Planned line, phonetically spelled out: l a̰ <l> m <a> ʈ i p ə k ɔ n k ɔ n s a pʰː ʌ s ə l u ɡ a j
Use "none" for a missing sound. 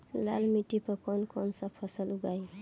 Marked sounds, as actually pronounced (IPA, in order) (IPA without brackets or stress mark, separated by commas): l, i